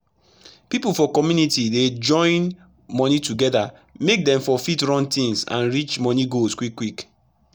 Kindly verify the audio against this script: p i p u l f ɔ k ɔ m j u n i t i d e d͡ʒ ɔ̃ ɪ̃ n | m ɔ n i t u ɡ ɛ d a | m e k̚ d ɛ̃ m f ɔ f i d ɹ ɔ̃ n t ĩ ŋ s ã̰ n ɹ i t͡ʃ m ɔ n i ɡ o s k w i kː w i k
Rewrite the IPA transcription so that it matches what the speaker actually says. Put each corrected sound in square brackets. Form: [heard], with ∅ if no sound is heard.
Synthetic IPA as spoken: p i p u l f ɔ k ɔ m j u n i t i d e d͡ʒ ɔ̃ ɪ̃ n | m ɔ n i t u ɡ ɛ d a | m e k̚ d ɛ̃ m f ɔ f i [t] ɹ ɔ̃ n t ĩ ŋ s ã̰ n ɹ i t͡ʃ m ɔ n i ɡ o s k w i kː w i k